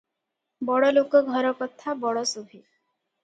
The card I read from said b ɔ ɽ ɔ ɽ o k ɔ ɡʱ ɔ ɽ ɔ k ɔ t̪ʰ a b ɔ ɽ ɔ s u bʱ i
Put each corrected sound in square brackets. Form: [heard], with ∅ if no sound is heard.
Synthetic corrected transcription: b ɔ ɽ ɔ [l] o k ɔ ɡʱ ɔ [ɾ] ɔ k ɔ t̪ʰ a b ɔ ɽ ɔ s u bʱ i